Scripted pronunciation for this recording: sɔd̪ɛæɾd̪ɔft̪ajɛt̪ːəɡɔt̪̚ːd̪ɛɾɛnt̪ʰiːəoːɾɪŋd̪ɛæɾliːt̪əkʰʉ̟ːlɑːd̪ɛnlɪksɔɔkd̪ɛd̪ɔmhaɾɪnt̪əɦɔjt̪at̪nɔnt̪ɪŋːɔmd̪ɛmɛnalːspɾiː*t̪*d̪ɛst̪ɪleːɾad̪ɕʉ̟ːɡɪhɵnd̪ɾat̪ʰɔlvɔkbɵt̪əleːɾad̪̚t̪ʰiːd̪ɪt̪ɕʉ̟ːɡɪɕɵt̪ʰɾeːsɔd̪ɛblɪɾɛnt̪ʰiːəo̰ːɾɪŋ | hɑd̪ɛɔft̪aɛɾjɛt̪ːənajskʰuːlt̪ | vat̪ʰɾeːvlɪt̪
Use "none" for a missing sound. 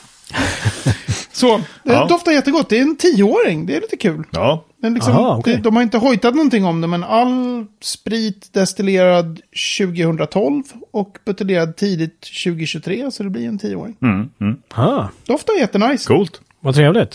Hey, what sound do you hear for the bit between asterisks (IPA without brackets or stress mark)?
t̪